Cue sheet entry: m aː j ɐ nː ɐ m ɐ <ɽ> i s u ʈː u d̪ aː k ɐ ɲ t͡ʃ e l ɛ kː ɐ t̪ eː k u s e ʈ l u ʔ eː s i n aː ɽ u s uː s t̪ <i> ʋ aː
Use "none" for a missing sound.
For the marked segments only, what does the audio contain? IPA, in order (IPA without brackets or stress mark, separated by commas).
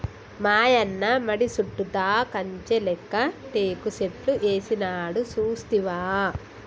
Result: ɽ, i